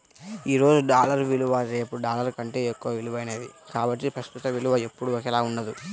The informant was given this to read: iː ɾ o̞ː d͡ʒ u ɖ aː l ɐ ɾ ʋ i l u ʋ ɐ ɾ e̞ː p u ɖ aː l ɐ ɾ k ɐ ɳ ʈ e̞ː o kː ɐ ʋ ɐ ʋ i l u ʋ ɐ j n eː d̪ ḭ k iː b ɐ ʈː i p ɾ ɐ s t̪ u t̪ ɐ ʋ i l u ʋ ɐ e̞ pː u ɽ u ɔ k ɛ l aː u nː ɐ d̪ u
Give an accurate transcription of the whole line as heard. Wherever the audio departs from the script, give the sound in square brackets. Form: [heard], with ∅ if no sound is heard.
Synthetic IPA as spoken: iː ɾ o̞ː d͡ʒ u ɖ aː l ɐ ɾ ʋ i l u ʋ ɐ ɾ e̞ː p u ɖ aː l ɐ ɾ k ɐ ɳ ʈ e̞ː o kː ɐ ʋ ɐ ʋ i l u ʋ ɐ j n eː d̪ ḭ k [aː] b ɐ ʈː i p ɾ ɐ s t̪ u t̪ ɐ ʋ i l u ʋ ɐ e̞ pː u ɽ u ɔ k ɛ l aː u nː ɐ d̪ u